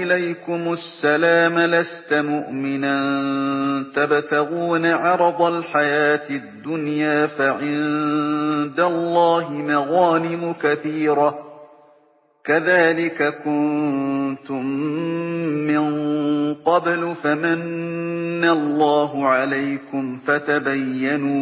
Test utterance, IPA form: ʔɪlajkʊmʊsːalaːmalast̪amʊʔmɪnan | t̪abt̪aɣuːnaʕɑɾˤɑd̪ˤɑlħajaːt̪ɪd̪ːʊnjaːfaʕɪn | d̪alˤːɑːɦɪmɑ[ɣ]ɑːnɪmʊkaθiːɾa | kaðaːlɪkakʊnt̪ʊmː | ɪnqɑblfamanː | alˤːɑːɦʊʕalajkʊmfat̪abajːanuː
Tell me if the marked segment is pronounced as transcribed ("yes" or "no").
yes